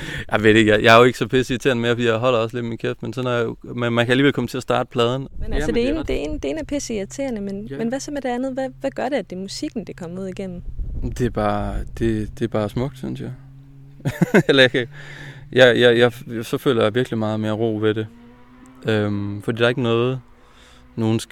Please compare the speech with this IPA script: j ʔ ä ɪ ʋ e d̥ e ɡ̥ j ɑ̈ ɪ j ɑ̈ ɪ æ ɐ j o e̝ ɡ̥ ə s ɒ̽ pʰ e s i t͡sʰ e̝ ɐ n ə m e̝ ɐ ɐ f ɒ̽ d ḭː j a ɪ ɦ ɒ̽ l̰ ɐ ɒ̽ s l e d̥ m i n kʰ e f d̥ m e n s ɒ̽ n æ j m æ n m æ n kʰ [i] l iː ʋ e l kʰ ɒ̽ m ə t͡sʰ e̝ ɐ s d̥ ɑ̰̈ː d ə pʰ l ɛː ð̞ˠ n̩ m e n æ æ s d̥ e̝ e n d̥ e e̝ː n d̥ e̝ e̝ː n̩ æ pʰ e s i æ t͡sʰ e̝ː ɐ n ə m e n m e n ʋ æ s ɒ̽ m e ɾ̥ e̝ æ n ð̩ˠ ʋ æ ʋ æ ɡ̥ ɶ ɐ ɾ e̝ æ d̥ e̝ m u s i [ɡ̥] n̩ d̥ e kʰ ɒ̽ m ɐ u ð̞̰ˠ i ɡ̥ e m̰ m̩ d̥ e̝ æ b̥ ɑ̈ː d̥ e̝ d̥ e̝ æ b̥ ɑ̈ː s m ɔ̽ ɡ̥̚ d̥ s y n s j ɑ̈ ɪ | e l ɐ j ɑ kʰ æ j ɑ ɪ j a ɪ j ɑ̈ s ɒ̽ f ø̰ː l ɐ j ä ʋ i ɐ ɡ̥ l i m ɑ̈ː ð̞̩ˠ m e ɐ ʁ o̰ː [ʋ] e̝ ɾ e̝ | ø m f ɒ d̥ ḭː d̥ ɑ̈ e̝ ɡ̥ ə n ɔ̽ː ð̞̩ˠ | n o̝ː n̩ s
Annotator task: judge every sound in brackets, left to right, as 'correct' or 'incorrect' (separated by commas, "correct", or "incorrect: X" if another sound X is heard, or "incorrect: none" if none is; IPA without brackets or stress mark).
incorrect: æ, correct, correct